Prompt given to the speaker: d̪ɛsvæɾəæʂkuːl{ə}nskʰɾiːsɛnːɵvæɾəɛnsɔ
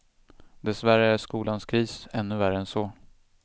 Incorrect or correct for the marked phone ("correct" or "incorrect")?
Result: incorrect